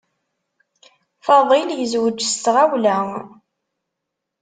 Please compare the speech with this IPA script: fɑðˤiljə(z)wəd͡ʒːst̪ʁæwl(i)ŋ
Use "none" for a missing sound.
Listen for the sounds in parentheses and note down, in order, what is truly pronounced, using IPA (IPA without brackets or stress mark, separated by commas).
z, æ